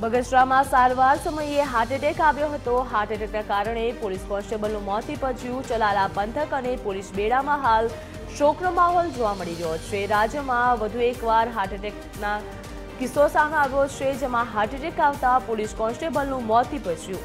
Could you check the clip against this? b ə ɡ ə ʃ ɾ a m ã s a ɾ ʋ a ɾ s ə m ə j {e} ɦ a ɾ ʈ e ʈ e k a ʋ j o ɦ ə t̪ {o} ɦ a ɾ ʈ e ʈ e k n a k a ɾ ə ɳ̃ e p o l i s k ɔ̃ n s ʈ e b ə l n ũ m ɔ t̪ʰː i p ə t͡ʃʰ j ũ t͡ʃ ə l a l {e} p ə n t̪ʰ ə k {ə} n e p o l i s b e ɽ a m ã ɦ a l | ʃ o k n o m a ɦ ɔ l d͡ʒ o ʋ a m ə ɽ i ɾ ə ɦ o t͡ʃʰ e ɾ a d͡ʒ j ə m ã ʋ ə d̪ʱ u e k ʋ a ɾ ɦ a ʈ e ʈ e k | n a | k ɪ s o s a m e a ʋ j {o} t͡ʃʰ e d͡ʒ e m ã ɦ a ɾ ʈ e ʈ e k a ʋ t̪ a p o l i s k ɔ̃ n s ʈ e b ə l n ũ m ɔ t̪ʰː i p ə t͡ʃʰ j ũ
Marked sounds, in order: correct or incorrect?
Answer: correct, correct, incorrect, correct, correct

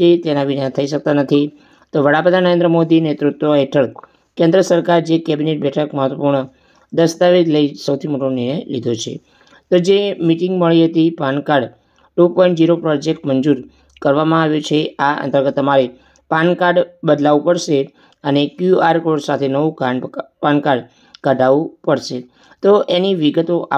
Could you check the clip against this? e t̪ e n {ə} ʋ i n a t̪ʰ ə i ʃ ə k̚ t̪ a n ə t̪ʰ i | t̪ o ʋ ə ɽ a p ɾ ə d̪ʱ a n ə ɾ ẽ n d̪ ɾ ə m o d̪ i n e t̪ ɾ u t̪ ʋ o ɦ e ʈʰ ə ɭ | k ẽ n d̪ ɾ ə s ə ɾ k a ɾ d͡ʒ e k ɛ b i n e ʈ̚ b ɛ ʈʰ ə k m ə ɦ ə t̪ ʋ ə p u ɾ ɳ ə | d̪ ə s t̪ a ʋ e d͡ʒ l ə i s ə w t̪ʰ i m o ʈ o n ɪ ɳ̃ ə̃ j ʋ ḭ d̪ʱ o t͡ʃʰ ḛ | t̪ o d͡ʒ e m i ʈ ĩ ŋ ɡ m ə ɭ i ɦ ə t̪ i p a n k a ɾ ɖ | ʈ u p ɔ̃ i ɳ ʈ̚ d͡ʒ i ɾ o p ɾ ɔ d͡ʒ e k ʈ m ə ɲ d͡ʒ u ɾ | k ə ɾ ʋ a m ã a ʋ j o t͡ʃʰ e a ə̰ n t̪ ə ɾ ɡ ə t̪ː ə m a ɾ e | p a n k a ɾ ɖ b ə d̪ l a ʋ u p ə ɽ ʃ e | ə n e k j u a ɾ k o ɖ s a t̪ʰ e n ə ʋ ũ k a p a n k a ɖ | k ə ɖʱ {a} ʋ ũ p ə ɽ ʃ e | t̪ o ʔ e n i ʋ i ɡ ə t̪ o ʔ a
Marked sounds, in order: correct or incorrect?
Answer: incorrect, correct

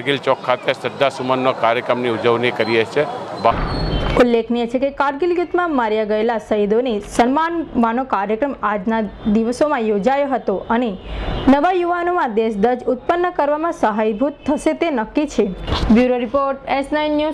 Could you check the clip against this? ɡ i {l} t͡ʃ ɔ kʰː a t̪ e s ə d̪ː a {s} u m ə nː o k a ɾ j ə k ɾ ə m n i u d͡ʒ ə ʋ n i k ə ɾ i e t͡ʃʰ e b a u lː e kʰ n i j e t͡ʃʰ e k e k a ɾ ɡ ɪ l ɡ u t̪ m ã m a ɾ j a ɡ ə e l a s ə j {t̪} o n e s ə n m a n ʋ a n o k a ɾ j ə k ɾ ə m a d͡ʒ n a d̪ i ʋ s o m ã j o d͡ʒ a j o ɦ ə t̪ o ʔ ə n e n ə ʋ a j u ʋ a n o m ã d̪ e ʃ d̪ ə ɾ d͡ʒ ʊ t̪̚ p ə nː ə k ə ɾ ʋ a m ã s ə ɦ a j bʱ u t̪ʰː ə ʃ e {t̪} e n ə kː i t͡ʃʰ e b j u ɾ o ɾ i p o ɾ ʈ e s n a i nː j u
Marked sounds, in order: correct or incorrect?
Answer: correct, correct, incorrect, correct

